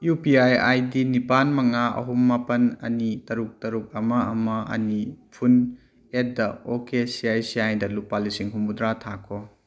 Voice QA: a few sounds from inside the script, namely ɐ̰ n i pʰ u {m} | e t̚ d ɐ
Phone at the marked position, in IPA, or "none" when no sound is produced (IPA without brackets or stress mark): n